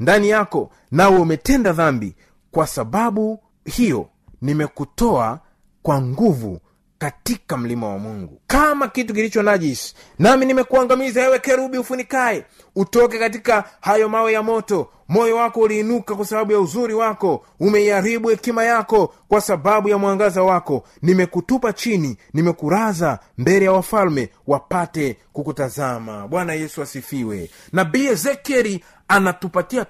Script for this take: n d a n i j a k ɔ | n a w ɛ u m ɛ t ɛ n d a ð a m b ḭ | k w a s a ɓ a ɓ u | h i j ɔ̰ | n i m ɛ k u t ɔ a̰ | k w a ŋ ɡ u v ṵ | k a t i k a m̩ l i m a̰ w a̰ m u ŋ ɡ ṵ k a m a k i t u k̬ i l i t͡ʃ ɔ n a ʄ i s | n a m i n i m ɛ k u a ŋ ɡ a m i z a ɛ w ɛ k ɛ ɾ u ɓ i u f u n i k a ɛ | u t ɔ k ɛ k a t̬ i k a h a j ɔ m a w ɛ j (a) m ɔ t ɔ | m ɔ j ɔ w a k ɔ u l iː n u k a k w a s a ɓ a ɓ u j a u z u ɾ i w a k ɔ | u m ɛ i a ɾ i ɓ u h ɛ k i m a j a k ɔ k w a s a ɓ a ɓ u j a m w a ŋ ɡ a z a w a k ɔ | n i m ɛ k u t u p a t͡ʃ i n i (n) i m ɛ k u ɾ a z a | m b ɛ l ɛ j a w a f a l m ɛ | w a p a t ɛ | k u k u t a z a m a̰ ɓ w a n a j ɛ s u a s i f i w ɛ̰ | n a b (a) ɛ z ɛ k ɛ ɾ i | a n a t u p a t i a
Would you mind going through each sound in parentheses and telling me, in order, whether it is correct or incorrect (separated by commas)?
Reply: correct, correct, incorrect